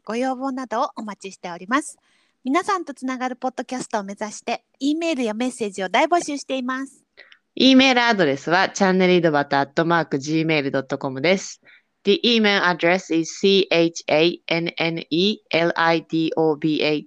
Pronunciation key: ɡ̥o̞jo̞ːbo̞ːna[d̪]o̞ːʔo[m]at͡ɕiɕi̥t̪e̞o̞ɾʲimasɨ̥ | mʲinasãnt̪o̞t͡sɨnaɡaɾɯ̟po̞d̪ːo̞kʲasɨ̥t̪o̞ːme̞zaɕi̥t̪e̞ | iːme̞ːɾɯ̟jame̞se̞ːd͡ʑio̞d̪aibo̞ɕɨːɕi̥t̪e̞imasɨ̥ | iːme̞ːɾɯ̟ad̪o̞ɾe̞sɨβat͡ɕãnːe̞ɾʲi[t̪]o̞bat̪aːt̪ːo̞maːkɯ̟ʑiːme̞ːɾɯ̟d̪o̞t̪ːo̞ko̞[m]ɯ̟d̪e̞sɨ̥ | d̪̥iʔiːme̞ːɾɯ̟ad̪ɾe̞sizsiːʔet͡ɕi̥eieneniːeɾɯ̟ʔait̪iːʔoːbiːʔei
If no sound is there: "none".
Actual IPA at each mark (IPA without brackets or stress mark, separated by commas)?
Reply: d̪, m, d̪, m